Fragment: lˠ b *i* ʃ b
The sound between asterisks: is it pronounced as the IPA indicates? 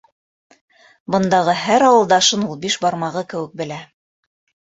yes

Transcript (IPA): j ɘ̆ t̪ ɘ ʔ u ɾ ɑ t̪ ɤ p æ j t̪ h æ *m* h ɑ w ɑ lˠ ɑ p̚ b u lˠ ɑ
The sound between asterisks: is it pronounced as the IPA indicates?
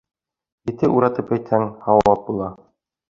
no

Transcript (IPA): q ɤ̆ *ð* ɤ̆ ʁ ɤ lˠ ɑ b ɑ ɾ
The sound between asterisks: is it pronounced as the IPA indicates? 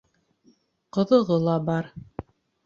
yes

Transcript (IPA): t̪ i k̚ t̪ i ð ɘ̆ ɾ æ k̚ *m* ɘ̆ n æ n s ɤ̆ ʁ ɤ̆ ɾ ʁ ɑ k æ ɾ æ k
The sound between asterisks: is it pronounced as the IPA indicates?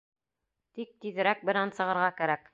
no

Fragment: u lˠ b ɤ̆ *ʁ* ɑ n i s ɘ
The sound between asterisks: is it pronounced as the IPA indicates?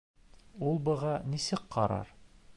yes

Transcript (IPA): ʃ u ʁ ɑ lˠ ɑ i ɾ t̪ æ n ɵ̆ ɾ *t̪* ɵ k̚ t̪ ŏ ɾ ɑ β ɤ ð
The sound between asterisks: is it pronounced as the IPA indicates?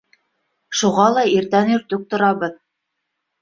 yes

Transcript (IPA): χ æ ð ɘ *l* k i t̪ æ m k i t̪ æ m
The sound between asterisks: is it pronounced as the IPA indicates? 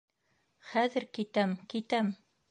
no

